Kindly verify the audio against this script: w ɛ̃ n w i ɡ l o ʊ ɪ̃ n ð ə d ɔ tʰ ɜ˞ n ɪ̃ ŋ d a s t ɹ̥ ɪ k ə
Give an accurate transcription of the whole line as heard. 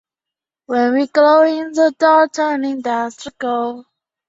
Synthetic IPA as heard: w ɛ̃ n w i ɡ l o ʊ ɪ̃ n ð ə d ɔ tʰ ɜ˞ n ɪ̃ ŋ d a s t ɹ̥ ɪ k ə